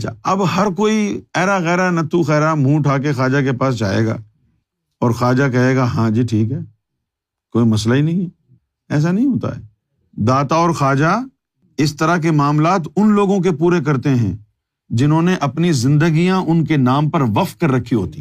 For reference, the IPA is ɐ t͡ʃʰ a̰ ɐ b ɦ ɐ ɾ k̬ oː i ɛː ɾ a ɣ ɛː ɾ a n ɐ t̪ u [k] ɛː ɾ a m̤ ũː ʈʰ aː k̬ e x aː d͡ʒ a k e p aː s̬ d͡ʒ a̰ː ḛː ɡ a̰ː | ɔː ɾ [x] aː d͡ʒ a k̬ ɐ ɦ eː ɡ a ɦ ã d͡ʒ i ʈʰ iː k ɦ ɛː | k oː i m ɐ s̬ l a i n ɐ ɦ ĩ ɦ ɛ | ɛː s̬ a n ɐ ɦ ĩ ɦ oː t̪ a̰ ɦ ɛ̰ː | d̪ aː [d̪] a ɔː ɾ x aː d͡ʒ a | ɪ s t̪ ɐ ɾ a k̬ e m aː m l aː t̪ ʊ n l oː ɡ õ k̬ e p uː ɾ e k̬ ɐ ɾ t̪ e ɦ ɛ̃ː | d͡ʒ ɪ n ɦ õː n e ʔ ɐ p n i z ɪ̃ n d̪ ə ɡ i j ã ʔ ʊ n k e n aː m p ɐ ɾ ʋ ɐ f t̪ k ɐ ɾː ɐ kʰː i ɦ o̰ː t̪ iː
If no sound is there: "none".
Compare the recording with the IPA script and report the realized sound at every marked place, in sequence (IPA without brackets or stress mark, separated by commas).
x, x, t̪